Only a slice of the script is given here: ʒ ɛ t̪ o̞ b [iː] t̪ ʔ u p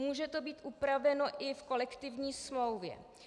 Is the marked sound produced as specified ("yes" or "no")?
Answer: yes